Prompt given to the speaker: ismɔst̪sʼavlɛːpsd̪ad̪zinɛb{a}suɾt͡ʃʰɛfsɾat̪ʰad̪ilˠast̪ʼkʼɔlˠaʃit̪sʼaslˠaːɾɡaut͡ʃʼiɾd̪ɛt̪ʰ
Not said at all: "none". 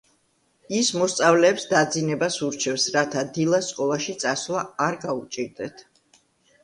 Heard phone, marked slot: a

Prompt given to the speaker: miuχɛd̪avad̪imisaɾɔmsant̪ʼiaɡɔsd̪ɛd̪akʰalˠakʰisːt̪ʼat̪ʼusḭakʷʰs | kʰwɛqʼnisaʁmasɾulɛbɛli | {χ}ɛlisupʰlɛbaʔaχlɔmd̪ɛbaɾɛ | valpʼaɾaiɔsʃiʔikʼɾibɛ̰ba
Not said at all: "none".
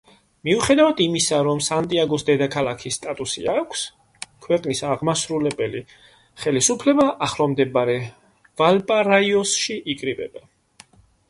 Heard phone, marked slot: χ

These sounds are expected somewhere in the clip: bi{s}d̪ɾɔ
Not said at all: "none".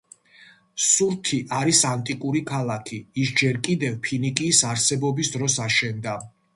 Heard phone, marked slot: s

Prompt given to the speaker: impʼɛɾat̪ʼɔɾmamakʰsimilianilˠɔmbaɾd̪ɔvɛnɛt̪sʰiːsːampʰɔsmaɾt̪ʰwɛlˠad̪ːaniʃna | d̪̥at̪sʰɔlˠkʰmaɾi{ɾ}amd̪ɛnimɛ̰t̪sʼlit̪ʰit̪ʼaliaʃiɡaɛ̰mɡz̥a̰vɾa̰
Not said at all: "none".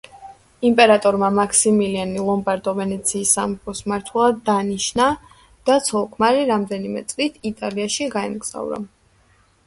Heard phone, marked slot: ɾ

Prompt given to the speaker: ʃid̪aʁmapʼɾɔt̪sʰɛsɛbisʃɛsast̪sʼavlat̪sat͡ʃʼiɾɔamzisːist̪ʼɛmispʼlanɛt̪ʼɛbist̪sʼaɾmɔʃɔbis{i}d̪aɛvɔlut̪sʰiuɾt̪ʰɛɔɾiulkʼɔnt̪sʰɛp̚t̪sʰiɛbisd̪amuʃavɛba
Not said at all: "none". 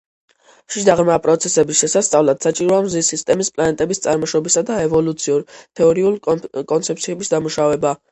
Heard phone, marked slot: a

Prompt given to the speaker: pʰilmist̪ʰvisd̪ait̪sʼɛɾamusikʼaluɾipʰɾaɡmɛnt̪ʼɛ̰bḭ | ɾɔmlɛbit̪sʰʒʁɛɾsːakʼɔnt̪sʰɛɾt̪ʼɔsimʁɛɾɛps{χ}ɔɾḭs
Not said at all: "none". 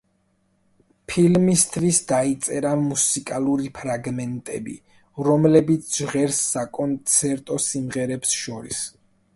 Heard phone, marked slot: ʃ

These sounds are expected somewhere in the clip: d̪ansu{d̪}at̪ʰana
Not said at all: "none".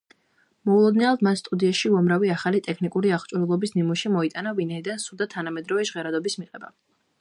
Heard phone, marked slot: d̪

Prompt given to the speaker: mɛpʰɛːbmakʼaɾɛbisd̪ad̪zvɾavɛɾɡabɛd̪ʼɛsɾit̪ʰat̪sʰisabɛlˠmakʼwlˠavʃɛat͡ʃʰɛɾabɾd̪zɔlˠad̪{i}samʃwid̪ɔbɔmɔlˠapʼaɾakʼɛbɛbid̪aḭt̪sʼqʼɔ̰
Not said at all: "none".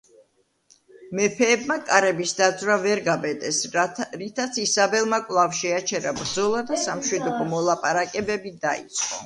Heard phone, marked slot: a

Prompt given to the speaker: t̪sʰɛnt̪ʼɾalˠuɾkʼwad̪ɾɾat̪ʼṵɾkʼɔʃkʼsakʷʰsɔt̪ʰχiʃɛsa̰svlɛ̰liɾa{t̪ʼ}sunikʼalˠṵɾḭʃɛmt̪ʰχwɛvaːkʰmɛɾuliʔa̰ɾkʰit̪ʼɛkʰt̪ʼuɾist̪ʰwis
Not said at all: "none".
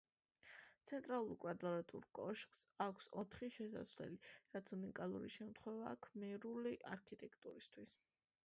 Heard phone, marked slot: t̪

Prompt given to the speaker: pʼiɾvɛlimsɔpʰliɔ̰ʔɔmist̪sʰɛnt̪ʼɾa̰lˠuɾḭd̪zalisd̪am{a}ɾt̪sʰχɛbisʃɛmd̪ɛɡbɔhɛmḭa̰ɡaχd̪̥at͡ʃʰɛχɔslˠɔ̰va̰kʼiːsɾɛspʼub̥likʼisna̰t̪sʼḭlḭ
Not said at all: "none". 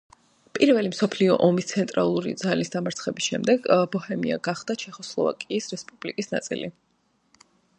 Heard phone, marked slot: a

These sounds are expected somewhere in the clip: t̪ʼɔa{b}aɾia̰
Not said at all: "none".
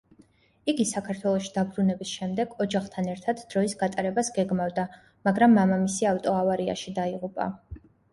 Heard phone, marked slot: v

